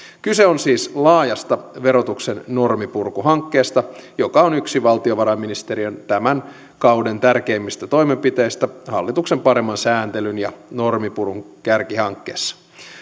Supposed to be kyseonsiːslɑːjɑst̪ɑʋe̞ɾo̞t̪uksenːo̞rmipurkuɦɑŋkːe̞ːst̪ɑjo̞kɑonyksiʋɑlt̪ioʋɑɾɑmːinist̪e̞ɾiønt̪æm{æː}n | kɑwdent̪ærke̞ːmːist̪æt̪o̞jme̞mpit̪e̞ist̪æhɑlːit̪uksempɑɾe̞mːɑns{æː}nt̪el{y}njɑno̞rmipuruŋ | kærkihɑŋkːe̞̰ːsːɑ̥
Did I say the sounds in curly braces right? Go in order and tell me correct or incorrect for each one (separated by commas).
incorrect, correct, correct